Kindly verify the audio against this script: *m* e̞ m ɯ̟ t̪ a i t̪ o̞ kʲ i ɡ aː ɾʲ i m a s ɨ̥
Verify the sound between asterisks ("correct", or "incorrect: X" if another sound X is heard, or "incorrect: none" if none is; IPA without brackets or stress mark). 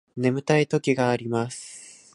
incorrect: n